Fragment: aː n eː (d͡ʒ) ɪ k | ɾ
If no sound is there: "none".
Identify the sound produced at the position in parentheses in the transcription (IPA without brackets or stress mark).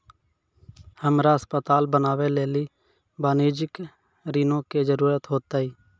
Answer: d͡ʒ